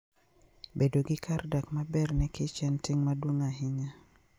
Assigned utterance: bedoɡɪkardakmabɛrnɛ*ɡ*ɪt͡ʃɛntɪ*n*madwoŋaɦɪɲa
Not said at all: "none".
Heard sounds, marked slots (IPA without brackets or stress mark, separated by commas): k, ŋ